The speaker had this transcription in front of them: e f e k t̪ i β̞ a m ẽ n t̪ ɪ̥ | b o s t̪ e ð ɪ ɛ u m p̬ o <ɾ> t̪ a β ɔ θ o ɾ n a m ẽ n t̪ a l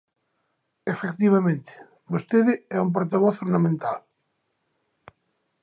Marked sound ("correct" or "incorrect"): correct